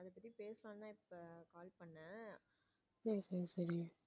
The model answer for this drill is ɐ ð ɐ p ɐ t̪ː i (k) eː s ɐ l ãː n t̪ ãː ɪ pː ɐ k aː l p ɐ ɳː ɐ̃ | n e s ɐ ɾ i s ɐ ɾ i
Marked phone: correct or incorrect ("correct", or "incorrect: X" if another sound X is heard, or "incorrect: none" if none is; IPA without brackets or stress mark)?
incorrect: p